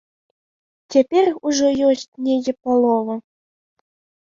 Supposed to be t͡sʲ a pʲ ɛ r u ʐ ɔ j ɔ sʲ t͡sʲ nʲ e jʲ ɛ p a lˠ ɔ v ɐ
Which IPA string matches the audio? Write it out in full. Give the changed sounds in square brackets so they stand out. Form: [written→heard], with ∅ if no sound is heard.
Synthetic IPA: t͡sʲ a pʲ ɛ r u ʐ ɔ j ɔ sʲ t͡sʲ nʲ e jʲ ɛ p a lˠ ɔ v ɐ